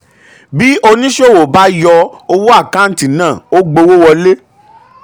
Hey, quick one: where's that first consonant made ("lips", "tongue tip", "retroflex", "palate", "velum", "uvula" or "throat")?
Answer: lips